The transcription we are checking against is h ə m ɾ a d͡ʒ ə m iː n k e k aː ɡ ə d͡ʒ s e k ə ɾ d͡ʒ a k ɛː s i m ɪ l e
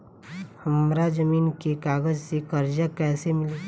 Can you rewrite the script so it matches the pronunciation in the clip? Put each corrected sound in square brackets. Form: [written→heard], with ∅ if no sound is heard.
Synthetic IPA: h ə m ɾ a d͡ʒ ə m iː n k e k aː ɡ ə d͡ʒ s e k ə ɾ d͡ʒ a k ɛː s [i→e] m ɪ l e